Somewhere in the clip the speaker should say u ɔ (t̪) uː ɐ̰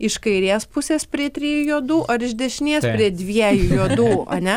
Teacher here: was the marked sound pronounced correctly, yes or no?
no